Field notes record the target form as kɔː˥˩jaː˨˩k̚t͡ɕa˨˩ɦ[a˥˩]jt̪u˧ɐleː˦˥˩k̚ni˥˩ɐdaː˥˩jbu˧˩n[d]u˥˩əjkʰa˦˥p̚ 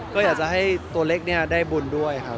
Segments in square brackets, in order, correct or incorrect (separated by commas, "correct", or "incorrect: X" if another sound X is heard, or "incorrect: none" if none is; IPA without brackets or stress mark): correct, correct